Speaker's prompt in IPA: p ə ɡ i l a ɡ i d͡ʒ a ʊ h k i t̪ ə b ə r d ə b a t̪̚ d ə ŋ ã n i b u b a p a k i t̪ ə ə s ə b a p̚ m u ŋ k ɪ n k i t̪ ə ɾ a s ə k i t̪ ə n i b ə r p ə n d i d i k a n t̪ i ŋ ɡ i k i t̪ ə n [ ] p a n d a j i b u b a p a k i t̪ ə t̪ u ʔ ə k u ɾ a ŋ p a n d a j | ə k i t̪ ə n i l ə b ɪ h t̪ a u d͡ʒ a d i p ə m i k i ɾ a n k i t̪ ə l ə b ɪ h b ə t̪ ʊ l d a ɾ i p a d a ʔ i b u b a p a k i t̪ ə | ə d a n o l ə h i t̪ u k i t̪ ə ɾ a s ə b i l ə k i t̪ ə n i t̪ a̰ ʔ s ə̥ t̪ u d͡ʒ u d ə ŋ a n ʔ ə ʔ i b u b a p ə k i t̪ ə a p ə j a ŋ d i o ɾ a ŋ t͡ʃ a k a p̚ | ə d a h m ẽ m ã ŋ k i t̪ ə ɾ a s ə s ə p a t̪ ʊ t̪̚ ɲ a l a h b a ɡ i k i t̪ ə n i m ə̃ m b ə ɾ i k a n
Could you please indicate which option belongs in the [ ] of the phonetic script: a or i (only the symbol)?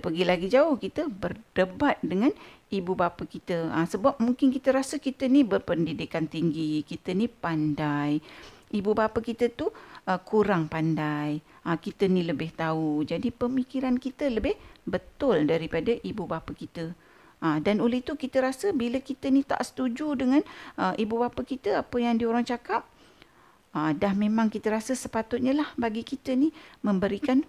i